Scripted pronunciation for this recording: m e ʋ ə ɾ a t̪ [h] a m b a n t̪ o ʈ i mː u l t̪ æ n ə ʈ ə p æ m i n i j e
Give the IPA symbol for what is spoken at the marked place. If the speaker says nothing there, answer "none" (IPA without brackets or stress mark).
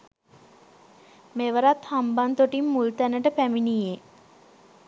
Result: h